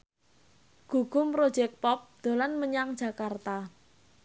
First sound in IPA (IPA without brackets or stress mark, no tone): ɡ̥